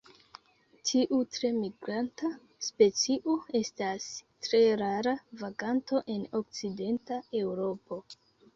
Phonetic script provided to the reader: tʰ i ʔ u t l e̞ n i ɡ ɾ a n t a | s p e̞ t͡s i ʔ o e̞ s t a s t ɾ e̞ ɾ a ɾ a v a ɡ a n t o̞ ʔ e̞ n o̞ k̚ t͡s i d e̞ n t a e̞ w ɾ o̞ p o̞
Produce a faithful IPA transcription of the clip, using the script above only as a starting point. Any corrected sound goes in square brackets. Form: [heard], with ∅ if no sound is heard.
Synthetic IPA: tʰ i ʔ u t [ɾ] e̞ [m] i ɡ ɾ a n t a | s p e̞ t͡s i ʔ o e̞ s t a s t ɾ e̞ ɾ a ɾ a v a ɡ a n t o̞ ʔ e̞ n o̞ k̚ t͡s i d e̞ n t a e̞ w ɾ o̞ p o̞